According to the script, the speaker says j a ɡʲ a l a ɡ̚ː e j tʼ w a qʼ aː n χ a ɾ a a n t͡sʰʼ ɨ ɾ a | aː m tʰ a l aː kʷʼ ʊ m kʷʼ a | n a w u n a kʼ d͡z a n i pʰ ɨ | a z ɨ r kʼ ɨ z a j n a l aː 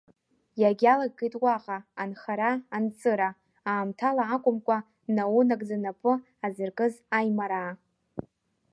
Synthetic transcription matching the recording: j a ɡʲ a l a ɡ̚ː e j tʼ w a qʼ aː n χ a ɾ a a n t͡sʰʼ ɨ ɾ a | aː m tʰ a l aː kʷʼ ʊ m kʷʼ a | n a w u n a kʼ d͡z a n a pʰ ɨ | a z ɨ r kʼ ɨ z a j m a ɾ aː